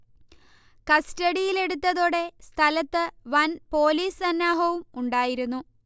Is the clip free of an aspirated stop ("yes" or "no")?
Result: no